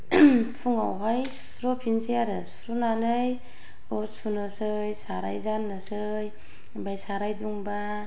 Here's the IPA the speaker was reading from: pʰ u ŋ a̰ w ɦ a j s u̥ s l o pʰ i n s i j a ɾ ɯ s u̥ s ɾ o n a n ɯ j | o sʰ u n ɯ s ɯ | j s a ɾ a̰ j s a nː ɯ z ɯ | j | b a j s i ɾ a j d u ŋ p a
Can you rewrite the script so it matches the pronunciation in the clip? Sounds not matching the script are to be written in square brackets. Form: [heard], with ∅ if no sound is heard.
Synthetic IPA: pʰ u ŋ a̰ w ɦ a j s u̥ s [ɾ] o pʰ i n s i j a ɾ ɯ s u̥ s ɾ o n a n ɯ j | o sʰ u n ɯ s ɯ | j s a ɾ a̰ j [z] a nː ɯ [s] ɯ | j | b a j s [a] ɾ a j d u ŋ [b] a

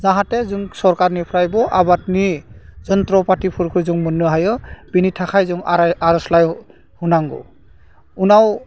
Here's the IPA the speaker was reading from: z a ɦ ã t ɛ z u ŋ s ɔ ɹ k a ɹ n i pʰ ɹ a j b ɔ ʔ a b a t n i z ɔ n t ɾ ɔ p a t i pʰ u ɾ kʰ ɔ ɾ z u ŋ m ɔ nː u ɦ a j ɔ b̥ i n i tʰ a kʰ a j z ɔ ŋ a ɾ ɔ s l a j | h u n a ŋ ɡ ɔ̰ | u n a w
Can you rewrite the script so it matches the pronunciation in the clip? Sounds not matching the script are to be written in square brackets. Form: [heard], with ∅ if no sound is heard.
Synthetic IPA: z a ɦ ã t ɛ z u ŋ s ɔ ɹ k a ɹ n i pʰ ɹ a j b ɔ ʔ a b a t n i z ɔ n t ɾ ɔ p a t i pʰ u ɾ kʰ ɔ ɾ z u ŋ m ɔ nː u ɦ a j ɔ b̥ i n i tʰ a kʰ a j z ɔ ŋ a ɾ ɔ s l a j | h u n a ŋ ɡ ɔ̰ | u n a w

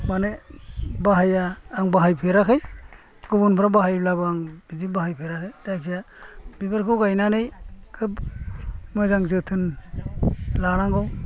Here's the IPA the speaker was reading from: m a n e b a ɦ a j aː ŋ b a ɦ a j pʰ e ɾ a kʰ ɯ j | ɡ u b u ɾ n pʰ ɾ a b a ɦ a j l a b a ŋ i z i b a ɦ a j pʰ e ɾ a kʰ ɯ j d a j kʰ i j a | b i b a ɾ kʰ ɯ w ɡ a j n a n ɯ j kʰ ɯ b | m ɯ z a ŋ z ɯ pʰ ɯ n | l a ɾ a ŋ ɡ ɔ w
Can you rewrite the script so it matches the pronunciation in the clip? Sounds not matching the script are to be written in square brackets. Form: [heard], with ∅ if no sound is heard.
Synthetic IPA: m a n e b a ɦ a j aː ŋ b a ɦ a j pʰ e ɾ a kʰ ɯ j | ɡ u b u [∅] n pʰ ɾ a b a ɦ a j l a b a ŋ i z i b a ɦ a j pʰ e ɾ a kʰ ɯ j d a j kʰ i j a | b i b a ɾ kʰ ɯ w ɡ a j n a n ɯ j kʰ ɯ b | m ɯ z a ŋ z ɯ [tʰ] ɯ n | l a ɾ a ŋ ɡ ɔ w

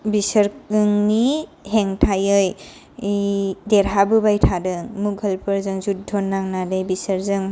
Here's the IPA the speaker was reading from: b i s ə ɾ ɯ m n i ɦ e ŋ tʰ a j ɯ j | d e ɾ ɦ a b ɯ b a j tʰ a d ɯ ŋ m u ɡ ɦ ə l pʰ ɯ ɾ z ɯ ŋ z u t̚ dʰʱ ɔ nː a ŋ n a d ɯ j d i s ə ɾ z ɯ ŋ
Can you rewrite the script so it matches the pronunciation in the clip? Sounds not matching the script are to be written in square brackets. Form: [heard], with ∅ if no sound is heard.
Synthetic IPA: b i s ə ɾ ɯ [ŋ] n i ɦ e ŋ tʰ a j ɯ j | d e ɾ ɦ a b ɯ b a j tʰ a d ɯ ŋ m u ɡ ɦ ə l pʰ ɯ ɾ z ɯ ŋ z u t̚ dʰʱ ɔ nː a ŋ n a d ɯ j [b] i s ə ɾ z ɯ ŋ

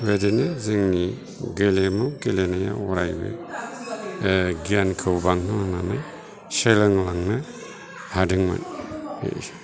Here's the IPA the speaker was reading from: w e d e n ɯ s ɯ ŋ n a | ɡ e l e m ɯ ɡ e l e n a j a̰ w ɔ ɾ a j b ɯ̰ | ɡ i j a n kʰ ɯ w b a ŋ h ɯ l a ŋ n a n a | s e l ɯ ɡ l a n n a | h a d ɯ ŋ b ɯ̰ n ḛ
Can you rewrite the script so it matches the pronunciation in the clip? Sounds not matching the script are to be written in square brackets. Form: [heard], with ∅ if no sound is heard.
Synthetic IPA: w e d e n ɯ [z] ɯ ŋ n [i] | ɡ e l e m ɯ ɡ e l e n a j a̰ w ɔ ɾ a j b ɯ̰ | ɡ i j a n kʰ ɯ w b a ŋ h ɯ l a ŋ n a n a | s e l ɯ [ŋ] l a [ŋ] n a | h a d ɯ ŋ [m] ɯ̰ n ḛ

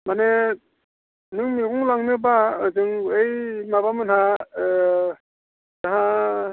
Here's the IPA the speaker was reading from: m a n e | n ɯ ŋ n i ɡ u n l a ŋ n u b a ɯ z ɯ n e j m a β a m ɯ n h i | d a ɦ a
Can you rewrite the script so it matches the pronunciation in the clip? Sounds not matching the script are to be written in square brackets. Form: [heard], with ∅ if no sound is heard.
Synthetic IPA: m a n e | n ɯ ŋ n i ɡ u [ŋ] l a ŋ n [ɯ] b a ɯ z ɯ [ŋ] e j m a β a m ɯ n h [a] | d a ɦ a

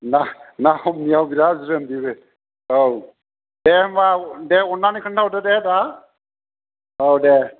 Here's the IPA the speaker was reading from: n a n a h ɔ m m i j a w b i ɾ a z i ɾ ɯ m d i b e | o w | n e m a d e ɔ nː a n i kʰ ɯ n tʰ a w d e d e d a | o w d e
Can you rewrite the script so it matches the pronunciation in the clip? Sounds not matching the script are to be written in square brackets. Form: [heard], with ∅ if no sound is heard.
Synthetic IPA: n a n a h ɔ m [n] i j a w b i ɾ a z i ɾ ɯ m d i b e | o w | [d] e m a d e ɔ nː a n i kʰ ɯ n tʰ a w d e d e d a | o w d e

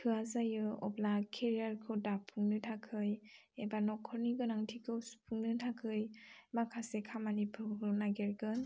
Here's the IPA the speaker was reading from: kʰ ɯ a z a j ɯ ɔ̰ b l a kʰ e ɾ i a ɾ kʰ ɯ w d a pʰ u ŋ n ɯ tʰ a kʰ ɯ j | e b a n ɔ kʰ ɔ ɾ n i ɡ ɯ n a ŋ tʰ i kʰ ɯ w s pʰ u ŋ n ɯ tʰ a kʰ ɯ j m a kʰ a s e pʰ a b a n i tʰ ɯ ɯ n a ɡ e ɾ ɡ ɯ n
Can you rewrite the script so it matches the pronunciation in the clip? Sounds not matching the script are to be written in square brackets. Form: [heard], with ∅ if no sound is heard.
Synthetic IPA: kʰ ɯ a z a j ɯ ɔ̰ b l a kʰ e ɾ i a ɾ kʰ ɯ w d a pʰ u ŋ n ɯ tʰ a kʰ ɯ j | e b a n ɔ kʰ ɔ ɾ n i ɡ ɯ n a ŋ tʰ i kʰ ɯ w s pʰ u ŋ n ɯ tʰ a kʰ ɯ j m a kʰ a s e [kʰ] a [m] a n i [pʰ] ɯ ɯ n a ɡ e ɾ ɡ ɯ n

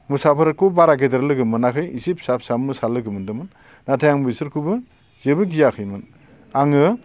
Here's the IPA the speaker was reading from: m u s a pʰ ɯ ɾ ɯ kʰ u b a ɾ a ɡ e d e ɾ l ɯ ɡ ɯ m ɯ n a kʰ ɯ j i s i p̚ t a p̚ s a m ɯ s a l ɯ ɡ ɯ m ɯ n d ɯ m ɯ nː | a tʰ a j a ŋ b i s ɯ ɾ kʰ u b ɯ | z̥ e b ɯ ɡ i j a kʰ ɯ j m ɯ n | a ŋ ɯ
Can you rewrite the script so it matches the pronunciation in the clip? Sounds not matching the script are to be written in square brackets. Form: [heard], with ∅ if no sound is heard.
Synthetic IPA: m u s a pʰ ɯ ɾ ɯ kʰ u b a ɾ a ɡ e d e ɾ l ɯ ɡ ɯ m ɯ n a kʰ ɯ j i s i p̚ [s] a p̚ s a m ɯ s a l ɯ ɡ ɯ m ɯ n d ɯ m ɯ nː | a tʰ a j a ŋ b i s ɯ ɾ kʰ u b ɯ | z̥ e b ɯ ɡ i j a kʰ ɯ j m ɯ n | a ŋ ɯ

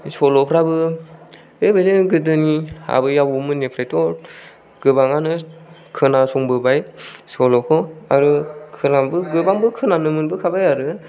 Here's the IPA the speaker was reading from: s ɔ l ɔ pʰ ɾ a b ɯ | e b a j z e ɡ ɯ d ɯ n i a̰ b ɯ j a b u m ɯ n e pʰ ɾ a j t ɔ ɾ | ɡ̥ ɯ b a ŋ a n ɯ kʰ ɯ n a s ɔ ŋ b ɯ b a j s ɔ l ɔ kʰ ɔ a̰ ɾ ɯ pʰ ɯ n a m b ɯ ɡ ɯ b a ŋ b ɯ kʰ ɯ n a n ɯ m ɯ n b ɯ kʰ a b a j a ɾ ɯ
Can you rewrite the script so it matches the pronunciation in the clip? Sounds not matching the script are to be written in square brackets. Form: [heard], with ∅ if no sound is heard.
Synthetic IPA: s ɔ l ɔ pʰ ɾ a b ɯ | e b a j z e ɡ ɯ d ɯ n i a̰ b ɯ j a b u m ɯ n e pʰ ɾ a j t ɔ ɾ | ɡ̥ ɯ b a ŋ a n ɯ kʰ ɯ n a s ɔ ŋ b ɯ b a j s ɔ l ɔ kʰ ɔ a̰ ɾ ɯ [kʰ] ɯ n a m b ɯ ɡ ɯ b a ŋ b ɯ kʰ ɯ n a n ɯ m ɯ n b ɯ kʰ a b a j a ɾ ɯ

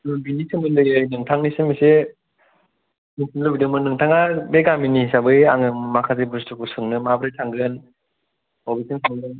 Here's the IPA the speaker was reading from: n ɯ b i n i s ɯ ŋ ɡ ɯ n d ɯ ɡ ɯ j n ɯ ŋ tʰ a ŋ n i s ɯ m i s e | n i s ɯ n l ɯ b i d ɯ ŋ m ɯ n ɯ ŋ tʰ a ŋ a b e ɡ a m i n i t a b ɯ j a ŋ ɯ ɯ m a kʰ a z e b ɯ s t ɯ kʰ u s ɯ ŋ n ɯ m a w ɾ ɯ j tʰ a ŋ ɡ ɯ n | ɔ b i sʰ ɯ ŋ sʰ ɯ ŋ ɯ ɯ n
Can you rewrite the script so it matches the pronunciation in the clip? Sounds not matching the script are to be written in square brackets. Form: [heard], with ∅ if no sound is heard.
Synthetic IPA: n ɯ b i n i s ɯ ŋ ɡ ɯ n d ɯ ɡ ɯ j n ɯ ŋ tʰ a ŋ n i s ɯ m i s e | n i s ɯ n l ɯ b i d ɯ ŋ m ɯ n ɯ ŋ tʰ a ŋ a b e ɡ a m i n i [s] a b ɯ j a ŋ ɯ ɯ m a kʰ a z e b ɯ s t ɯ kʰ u s ɯ ŋ n ɯ m a [b] ɾ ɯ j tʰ a ŋ ɡ ɯ n | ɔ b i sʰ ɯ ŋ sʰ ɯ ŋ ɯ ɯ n

